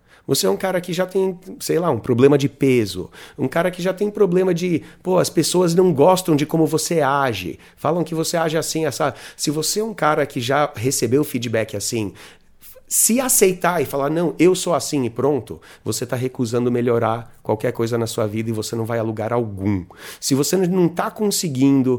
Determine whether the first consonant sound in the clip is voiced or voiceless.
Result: voiced